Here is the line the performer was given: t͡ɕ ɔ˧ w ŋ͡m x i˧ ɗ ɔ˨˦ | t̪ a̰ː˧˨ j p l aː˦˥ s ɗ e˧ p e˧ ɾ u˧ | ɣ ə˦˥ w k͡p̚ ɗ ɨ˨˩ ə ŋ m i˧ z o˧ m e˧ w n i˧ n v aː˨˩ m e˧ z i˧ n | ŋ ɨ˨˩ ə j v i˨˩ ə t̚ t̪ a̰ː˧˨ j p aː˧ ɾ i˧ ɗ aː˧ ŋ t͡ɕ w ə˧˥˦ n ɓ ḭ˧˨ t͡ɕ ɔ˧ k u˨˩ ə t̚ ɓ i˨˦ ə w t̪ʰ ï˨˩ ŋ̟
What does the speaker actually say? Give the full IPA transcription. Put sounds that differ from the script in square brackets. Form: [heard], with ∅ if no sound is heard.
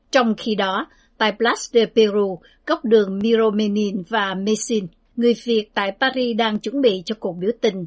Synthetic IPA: t͡ɕ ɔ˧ w ŋ͡m x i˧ ɗ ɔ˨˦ | t̪ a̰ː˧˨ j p l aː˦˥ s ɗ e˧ p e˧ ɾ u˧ | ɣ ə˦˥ w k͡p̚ ɗ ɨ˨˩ ə ŋ m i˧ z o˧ m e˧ [∅] n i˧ n v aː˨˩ m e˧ [s] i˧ n | ŋ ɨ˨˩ ə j v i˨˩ ə t̚ t̪ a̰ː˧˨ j p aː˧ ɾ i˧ ɗ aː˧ ŋ t͡ɕ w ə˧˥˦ n ɓ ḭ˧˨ t͡ɕ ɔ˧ k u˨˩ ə [k̚] ɓ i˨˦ ə w [t̪] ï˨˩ ŋ̟